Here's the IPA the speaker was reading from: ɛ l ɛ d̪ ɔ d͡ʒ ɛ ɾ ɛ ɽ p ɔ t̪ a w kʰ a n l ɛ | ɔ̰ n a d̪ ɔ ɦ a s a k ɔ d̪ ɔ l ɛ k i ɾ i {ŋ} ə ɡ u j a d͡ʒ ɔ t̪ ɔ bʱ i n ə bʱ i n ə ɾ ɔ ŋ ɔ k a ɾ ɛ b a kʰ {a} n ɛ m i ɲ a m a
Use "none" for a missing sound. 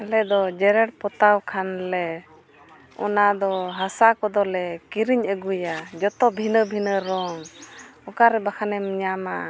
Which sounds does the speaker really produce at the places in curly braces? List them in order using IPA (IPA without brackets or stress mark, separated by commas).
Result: ɲ, a